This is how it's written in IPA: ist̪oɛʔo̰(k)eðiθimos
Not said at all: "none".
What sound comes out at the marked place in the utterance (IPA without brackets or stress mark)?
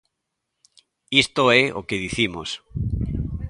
k